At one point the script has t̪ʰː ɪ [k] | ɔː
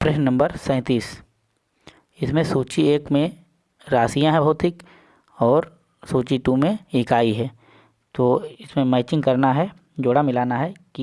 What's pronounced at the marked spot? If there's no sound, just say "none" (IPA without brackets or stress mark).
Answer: k